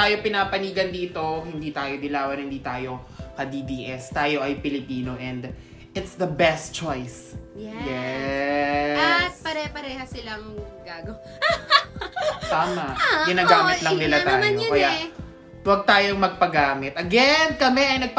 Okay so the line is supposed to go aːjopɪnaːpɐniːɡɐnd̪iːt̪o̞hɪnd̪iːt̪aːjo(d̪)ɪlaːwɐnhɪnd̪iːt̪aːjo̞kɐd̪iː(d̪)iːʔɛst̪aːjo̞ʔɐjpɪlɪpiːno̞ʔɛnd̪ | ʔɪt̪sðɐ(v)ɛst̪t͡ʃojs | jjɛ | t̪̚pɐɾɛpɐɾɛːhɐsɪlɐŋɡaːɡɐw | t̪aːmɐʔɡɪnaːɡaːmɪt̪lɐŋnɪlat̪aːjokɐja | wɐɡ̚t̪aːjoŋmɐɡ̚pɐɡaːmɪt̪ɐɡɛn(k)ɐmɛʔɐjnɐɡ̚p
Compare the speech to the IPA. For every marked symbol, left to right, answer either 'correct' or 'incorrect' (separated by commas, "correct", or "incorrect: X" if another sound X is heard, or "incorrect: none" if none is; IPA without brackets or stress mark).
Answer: correct, correct, incorrect: b, correct